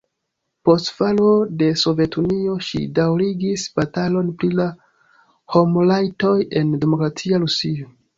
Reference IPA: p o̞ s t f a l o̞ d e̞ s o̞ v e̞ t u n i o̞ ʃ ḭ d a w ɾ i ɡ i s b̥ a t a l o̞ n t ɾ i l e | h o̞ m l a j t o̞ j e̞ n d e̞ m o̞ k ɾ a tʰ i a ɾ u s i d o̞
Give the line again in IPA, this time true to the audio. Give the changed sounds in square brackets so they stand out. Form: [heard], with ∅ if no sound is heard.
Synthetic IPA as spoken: p o̞ s t f a l o̞ d e̞ s o̞ v e̞ t u n i o̞ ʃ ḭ d a w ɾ i ɡ i s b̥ a t a l o̞ n [p] ɾ i l [a] | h o̞ m l a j t o̞ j e̞ n d e̞ m o̞ k ɾ a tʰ i a ɾ u s i [∅] o̞